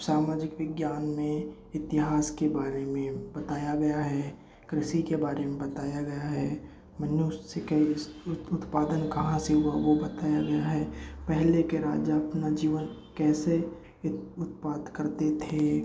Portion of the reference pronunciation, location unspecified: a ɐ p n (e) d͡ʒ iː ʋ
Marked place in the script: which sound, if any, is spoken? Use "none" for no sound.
a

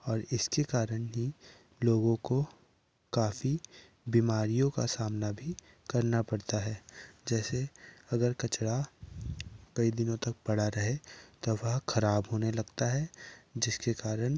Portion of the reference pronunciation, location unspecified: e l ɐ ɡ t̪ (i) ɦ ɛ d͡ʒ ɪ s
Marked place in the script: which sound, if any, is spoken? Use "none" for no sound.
a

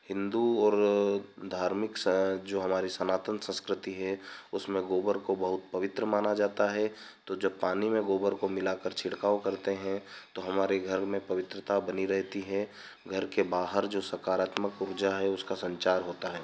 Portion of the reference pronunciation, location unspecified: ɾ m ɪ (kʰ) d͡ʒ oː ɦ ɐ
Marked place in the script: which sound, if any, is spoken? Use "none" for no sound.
k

